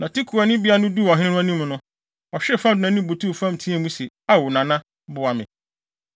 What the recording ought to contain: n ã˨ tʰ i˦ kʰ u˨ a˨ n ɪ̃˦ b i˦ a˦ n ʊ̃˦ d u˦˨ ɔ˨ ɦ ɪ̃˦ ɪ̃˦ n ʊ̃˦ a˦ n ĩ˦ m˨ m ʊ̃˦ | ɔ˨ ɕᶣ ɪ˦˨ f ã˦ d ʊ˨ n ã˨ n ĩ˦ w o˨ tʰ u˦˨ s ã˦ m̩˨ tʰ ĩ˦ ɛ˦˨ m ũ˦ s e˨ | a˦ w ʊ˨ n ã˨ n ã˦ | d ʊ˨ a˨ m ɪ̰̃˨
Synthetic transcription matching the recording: n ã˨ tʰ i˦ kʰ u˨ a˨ n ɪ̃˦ b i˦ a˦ n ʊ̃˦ d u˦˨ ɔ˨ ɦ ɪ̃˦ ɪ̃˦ n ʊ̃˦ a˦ n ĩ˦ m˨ n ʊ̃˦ | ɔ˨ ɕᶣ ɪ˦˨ f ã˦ d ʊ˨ n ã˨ n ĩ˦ b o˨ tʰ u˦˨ f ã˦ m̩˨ tʰ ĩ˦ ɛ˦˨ m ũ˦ s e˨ | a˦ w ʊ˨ n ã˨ n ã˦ | b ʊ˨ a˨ m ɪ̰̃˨